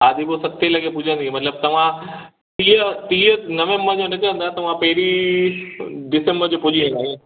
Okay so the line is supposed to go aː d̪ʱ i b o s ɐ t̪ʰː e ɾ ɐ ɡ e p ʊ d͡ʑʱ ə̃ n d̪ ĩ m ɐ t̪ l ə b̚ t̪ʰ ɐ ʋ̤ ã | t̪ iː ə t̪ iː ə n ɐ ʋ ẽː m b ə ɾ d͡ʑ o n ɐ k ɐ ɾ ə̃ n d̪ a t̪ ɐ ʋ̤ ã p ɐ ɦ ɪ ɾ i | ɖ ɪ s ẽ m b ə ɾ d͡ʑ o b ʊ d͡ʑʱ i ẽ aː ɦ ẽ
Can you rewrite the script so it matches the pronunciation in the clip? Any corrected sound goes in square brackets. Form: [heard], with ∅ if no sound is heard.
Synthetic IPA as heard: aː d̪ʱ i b o s ɐ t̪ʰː e [l] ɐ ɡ e p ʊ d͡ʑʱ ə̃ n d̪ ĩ m ɐ t̪ l ə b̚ [t̪] ɐ ʋ̤ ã | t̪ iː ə t̪ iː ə n ɐ ʋ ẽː m b ə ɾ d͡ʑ o n ɐ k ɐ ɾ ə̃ n d̪ a t̪ ɐ ʋ̤ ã p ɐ ɦ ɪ ɾ i | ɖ ɪ s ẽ m b ə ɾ d͡ʑ o [p] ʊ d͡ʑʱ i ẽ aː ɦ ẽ